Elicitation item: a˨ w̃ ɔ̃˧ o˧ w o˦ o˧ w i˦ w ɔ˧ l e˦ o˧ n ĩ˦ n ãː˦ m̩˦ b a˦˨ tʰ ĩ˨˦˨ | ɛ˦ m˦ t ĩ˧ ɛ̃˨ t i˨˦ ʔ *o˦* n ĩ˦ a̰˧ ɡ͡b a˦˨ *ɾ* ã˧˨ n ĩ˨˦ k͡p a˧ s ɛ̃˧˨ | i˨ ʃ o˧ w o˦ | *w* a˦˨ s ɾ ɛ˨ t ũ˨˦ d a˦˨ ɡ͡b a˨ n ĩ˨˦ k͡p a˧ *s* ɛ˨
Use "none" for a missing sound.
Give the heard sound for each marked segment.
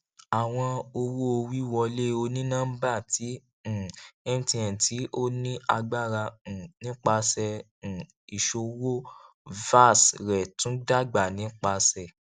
o˦, ɾ, v, s

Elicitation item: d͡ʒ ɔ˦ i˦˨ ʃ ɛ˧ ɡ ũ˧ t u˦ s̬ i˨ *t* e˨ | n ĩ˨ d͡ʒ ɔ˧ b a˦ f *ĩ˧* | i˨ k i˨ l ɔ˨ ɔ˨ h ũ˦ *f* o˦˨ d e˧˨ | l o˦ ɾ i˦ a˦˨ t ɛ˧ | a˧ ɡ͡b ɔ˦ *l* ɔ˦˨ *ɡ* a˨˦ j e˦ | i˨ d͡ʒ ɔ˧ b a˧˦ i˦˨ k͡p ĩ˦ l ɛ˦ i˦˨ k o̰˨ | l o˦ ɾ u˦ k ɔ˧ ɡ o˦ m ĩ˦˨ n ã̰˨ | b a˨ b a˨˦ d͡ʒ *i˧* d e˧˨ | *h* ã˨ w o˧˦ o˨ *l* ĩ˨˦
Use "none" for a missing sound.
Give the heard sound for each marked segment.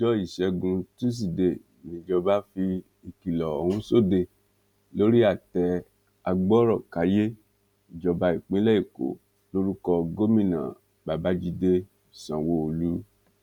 d, i˧, s, ɾ, k, i˧, s, l

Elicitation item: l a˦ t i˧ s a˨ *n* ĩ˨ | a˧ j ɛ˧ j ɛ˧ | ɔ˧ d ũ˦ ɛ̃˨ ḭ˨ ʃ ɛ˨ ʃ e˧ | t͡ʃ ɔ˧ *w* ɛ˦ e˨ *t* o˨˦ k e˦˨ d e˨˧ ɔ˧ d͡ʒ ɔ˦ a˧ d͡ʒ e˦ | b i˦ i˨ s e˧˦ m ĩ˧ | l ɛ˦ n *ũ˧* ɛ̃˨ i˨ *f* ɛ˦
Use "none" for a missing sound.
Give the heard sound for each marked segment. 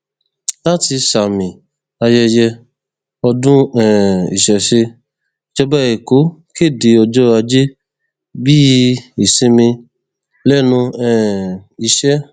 m, b, k, ũ˧, ʃ

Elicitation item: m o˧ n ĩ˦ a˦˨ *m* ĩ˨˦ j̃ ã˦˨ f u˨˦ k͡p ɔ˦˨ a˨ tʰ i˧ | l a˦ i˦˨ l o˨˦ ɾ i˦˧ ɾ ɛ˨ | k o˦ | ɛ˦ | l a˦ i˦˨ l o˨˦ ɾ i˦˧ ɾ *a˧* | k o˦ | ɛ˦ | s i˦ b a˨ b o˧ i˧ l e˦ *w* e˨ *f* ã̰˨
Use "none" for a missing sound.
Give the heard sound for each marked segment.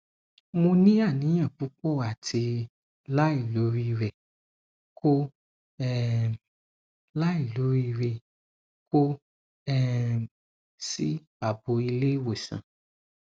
n, e˧, w, s

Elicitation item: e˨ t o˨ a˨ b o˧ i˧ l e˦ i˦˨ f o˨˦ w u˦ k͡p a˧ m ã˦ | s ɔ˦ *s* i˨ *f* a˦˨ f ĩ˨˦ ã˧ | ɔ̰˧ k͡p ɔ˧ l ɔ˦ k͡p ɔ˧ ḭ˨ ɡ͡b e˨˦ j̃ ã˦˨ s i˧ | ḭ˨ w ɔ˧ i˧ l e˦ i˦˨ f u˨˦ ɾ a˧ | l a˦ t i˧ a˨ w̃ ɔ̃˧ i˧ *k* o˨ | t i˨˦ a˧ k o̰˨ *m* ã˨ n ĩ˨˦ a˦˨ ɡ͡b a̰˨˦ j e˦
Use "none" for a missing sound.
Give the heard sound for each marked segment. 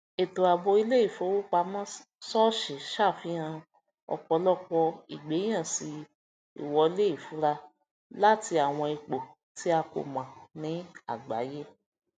ʃ, ʃ, k͡p, m

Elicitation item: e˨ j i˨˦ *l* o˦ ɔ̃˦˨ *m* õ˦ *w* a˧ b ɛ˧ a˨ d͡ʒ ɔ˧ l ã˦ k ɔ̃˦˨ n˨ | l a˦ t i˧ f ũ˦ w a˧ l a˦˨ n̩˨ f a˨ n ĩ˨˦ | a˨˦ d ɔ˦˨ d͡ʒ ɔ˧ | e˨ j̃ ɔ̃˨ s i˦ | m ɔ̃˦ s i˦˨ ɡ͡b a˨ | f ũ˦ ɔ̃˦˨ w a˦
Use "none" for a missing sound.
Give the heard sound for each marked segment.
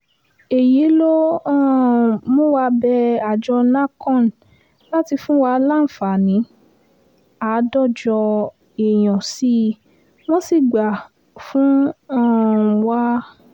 l, m, w

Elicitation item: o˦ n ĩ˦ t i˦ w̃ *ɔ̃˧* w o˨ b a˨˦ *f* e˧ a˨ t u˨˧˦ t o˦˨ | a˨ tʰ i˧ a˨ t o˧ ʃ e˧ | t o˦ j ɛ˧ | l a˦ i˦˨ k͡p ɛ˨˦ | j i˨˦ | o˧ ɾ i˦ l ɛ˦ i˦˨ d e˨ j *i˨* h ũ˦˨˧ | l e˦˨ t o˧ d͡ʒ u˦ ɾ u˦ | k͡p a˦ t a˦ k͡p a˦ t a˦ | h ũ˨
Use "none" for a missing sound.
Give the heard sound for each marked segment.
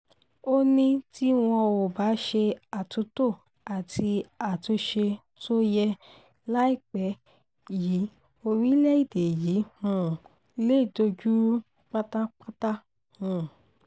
ɔ̃˧, ʃ, i˨˦

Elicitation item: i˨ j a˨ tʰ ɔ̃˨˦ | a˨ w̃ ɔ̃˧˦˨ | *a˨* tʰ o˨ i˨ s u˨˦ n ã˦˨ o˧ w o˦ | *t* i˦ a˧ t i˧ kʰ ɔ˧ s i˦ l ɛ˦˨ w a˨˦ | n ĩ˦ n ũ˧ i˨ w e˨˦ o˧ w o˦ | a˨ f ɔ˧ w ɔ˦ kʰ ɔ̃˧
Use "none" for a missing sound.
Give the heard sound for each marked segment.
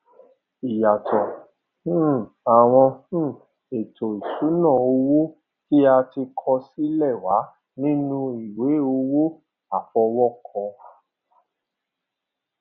e˨, k

